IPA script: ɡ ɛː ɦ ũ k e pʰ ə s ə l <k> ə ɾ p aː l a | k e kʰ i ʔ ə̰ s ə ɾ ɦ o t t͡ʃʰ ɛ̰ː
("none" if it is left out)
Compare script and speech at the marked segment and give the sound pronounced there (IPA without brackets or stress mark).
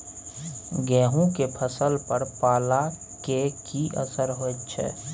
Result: p